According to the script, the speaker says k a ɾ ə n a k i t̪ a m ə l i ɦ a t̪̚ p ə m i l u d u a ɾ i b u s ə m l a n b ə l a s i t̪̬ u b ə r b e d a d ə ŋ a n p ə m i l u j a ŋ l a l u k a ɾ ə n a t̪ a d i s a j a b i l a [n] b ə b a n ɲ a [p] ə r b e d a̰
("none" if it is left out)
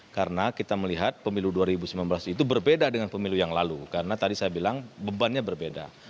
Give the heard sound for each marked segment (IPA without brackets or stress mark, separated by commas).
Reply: ŋ, b